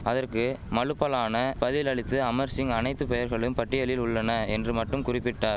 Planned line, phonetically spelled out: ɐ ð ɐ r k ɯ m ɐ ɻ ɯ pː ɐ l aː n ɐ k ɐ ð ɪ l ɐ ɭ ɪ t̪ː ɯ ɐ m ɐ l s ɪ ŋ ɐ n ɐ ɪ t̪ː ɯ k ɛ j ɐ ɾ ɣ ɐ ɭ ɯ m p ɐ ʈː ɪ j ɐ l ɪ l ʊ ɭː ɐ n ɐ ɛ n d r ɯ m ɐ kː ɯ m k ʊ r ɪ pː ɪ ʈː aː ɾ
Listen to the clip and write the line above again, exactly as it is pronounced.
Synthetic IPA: ɐ ð ɐ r k ɯ m ɐ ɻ ɯ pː ɐ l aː n ɐ p ɐ ð ɪ l ɐ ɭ ɪ t̪ː ɯ ɐ m ɐ ɾ s ɪ ŋ ɐ n ɐ ɪ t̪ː ɯ p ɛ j ɐ ɾ ɣ ɐ ɭ ɯ m p ɐ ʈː ɪ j ɐ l ɪ l ʊ ɭː ɐ n ɐ ɛ n d r ɯ m ɐ ʈː ɯ m k ʊ r ɪ pː ɪ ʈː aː ɾ